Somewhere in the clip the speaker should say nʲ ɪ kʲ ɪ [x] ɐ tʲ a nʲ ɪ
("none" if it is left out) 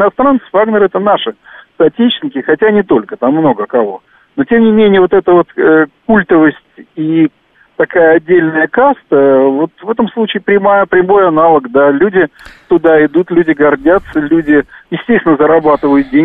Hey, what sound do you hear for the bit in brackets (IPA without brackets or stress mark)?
x